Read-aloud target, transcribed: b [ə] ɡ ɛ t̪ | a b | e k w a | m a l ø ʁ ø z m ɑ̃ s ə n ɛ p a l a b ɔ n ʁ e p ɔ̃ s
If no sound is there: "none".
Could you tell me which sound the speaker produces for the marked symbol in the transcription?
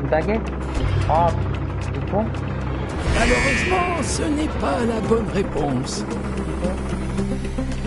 a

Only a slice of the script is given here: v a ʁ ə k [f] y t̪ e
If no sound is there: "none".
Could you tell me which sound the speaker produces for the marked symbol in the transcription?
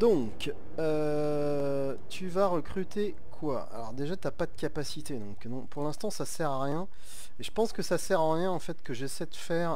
χ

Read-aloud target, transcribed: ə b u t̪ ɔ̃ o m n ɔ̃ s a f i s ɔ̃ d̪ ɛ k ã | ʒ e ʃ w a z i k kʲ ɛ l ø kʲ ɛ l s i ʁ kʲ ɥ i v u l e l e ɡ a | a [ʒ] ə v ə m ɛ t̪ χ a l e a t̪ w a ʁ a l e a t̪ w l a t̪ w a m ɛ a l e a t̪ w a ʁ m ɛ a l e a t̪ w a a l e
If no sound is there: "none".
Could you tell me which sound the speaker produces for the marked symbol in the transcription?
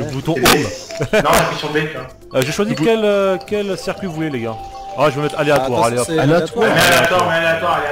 ʒ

